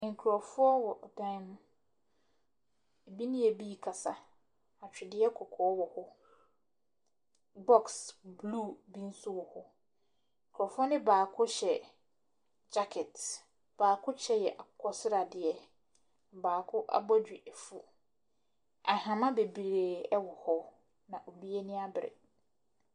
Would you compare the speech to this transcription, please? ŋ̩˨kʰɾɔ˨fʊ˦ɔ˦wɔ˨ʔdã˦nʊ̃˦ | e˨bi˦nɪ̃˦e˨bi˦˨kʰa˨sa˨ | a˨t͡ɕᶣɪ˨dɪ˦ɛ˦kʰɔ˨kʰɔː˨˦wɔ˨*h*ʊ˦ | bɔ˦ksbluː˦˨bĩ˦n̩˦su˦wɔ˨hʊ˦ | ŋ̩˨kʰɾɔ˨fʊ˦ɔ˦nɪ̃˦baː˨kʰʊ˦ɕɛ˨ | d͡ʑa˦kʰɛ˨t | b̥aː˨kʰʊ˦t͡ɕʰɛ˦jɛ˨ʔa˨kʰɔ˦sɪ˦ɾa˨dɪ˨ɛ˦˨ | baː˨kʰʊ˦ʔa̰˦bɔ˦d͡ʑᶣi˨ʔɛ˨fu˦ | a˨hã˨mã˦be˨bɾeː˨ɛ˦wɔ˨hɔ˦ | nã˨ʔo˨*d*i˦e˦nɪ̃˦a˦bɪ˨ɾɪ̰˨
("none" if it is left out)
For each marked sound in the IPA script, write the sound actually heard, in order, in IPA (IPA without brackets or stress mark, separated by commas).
h, b